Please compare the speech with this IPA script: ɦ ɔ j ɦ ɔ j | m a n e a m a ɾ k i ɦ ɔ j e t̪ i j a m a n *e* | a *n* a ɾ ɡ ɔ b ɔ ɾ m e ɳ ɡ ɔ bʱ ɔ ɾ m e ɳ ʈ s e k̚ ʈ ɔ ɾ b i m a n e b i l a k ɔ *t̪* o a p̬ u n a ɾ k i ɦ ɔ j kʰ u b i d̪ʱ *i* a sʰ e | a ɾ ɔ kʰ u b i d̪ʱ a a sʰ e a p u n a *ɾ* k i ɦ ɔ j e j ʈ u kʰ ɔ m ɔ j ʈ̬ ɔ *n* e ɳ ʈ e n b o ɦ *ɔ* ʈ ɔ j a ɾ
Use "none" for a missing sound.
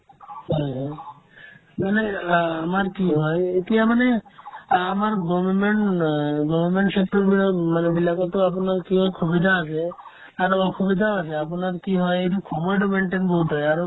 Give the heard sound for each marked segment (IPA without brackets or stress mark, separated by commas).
e, m, t̪, a, ɾ, m, u